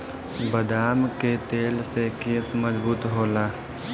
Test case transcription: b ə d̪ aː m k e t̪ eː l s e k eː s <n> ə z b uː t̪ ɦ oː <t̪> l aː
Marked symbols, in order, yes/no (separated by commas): no, no